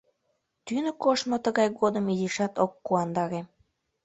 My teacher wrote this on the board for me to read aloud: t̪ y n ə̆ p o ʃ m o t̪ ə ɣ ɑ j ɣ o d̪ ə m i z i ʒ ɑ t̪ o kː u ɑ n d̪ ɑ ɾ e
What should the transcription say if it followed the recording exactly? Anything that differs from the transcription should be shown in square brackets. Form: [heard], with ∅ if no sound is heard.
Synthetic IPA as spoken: t̪ y n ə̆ [k] o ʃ m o t̪ ə ɣ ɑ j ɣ o d̪ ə m i z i [ʃ] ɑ t̪ o kː u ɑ n d̪ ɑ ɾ e